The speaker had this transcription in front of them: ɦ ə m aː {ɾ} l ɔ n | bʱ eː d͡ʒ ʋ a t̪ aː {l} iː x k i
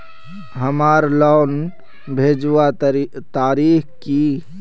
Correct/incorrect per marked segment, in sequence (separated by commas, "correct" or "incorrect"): correct, incorrect